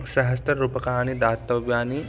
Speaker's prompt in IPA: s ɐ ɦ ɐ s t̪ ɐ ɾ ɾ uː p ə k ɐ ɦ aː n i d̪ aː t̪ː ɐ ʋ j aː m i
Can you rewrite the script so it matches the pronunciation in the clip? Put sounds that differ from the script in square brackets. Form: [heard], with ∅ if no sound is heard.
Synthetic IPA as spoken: s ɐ ɦ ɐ s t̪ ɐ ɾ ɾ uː p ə k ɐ ɦ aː n i d̪ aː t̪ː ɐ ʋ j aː [n] i